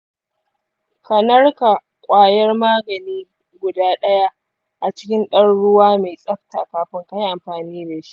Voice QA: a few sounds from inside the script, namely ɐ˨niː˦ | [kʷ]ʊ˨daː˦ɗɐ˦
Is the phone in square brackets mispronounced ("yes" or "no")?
yes